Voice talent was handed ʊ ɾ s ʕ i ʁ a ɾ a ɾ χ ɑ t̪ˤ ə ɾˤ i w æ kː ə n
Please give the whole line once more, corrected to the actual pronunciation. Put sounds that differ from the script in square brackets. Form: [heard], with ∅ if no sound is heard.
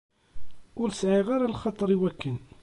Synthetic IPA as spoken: ʊ ɾ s ʕ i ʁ a ɾ a [l] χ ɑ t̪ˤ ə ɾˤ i w æ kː ə n